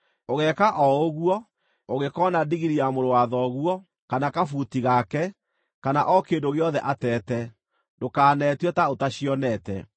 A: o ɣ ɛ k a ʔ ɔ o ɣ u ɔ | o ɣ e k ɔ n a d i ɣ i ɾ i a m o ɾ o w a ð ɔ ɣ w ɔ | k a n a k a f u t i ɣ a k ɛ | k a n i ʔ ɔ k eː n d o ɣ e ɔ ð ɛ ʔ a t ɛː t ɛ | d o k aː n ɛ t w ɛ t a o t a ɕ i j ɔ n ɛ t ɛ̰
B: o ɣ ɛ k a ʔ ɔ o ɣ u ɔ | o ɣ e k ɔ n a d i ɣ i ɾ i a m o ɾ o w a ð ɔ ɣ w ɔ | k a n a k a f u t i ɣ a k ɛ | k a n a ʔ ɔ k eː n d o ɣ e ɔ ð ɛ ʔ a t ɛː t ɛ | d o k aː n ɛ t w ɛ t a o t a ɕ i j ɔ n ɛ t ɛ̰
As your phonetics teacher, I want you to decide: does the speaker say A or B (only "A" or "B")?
B